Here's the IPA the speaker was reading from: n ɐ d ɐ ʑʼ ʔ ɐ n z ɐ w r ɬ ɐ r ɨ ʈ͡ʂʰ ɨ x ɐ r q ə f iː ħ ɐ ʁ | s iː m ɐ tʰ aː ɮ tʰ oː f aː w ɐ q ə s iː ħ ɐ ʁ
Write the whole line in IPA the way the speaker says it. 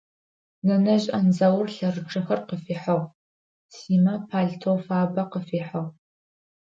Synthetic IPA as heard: n ɐ n ɐ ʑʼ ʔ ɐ n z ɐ w r ɬ ɐ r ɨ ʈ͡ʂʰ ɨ x ɐ r q ə f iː ħ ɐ ʁ | s iː m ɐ pʰ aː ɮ tʰ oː f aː b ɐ q ə f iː ħ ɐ ʁ